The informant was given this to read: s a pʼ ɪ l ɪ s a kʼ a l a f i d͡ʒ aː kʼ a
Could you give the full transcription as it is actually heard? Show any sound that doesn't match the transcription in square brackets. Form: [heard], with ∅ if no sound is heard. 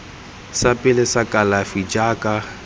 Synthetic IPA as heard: s a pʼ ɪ l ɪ s a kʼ a l a f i d͡ʒ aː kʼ a